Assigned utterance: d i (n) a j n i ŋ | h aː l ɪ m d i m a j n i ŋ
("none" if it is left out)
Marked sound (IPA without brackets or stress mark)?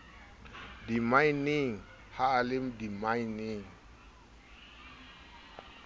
m